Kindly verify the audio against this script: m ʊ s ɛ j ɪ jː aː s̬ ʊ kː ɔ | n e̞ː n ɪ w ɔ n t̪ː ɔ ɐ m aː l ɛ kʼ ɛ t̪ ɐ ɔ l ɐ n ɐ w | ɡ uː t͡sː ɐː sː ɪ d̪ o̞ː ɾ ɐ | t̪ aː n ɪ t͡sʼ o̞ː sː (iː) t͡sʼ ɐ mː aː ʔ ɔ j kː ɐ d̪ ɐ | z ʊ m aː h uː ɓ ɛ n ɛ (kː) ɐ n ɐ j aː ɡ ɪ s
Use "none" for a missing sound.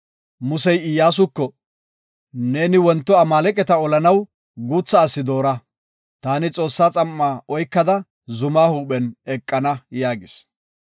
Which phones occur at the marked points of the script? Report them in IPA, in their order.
aː, kʼː

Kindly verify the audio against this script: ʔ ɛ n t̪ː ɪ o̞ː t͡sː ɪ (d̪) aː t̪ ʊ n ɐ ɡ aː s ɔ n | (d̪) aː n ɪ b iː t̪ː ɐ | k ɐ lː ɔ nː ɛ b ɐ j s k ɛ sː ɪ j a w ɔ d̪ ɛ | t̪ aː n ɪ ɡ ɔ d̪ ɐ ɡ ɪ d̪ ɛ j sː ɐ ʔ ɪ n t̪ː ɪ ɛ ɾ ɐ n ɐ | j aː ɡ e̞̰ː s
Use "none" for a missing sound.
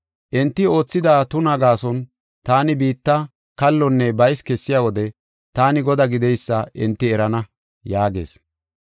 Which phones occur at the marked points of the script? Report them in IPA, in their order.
d̪, t̪

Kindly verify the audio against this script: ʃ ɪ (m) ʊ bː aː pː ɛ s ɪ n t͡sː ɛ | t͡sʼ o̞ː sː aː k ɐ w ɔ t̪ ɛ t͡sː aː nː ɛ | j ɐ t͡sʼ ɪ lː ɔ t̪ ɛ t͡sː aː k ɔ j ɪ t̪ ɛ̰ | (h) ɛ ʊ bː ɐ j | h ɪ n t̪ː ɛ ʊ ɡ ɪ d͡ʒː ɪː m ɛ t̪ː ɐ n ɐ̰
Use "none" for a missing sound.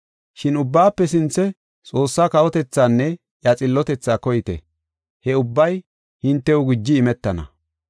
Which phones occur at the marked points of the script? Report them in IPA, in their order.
n, h

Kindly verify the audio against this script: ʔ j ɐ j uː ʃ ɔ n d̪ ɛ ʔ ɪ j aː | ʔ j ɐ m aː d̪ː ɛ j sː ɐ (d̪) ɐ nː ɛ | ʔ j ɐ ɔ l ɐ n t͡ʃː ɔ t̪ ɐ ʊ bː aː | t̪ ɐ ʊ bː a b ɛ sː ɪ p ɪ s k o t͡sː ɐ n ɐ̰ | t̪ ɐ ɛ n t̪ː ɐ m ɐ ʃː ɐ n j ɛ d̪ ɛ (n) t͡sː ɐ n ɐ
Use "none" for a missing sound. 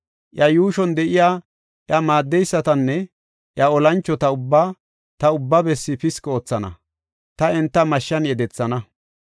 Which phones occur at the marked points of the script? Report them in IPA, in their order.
t̪, none

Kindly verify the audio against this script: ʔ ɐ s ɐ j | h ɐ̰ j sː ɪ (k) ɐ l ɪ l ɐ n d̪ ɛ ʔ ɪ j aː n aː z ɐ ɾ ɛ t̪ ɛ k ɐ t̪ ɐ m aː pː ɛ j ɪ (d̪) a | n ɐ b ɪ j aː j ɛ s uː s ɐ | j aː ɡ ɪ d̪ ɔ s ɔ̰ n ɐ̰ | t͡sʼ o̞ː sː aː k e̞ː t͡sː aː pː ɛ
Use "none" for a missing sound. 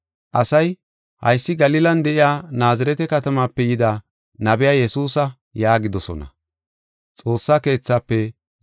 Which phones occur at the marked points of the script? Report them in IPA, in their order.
ɡ, d̪

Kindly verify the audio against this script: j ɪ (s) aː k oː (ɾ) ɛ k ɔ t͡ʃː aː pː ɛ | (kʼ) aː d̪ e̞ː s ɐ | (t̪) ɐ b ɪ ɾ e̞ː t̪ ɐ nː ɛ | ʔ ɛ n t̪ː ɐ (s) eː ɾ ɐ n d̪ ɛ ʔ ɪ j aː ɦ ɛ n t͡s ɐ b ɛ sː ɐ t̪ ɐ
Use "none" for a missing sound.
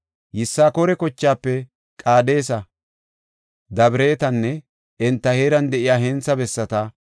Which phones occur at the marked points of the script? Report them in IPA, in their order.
sː, ɾ, kʼ, d̪, h

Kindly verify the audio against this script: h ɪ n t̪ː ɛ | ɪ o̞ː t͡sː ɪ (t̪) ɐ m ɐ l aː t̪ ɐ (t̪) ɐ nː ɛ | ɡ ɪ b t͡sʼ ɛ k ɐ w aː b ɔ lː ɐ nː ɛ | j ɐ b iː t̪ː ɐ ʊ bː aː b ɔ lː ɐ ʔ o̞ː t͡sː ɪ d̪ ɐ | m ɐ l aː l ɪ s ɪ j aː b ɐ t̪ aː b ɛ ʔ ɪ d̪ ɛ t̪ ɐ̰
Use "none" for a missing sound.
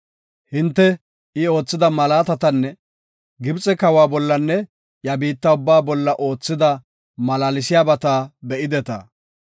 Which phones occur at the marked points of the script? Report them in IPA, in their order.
d̪, t̪

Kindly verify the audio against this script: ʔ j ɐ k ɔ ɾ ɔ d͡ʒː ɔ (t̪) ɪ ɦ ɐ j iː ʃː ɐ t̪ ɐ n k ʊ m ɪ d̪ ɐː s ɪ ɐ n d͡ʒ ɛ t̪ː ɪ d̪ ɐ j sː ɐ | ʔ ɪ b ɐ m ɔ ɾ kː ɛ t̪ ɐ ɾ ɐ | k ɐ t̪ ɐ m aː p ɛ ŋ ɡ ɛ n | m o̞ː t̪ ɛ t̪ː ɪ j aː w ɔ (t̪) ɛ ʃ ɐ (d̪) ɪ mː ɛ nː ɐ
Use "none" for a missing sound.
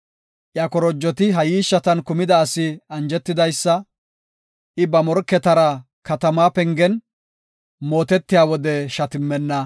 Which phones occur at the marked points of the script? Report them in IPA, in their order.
t̪, d̪, t̪

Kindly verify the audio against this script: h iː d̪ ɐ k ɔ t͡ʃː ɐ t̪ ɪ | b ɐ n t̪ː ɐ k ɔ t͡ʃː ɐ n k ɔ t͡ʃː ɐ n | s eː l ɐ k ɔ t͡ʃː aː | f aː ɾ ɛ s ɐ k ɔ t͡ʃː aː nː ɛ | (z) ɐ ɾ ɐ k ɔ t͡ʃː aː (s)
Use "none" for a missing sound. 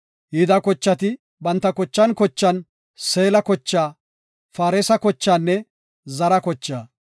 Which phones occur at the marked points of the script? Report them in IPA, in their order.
z, none

